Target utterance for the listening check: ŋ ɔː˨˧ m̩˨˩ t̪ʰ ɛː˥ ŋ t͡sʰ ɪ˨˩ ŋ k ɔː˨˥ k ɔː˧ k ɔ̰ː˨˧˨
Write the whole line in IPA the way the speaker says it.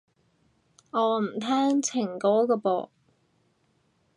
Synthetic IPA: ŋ ɔː˨˧ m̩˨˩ t̪ʰ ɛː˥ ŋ t͡sʰ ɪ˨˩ ŋ k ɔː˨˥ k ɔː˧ p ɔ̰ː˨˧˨